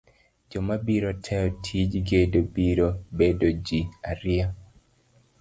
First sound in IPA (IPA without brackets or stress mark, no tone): d͡ʒ